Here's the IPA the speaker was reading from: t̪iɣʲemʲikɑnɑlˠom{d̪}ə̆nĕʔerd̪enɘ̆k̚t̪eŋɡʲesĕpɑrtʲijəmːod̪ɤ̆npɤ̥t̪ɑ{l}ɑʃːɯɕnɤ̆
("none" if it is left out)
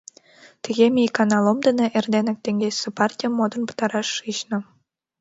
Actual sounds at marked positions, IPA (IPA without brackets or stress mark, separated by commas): d̪, ɾ